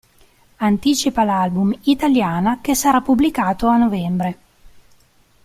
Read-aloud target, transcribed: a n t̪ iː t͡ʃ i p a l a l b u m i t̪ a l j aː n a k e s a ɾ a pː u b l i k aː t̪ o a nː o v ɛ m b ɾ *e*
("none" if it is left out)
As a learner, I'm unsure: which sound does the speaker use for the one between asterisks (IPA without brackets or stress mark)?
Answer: e